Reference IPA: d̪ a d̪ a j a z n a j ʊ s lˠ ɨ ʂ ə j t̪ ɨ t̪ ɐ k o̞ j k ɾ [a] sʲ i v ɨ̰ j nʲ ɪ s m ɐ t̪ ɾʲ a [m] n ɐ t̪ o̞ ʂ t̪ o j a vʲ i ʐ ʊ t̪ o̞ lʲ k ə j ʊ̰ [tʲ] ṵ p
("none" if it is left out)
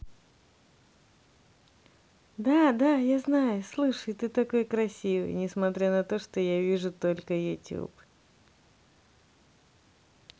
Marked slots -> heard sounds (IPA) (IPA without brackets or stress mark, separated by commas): ɐ, none, tʲ